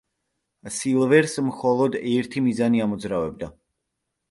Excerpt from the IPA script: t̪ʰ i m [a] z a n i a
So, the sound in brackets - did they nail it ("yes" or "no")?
no